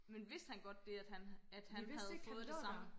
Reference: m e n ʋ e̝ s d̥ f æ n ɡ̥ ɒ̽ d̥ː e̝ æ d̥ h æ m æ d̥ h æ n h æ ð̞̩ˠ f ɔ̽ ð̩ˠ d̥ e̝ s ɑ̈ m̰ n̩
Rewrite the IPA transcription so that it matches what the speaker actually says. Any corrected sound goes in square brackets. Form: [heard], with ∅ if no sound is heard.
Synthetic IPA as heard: m e n ʋ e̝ s d̥ [h] æ n ɡ̥ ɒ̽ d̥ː e̝ æ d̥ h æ [n] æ d̥ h æ n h æ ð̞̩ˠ f [ɔ̽ː] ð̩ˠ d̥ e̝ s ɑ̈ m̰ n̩